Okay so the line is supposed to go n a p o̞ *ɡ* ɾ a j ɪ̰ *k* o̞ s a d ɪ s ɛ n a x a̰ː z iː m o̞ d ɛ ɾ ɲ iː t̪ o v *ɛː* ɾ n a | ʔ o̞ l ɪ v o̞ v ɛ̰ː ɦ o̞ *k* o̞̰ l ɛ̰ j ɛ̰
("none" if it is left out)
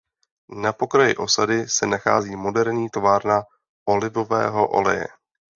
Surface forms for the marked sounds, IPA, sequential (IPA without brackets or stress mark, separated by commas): k, ʔ, aː, ʔ